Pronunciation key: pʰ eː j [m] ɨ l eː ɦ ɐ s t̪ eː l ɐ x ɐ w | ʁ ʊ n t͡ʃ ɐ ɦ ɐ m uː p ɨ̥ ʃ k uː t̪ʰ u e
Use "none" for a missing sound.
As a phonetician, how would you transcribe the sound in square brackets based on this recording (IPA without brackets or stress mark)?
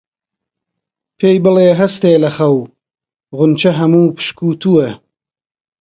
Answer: b